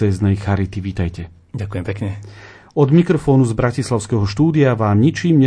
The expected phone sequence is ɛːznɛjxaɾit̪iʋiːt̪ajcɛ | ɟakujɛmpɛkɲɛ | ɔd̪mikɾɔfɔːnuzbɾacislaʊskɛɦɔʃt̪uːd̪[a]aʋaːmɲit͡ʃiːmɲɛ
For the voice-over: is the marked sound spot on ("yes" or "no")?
no